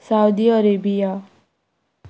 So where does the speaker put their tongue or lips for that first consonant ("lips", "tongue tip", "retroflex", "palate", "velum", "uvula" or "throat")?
tongue tip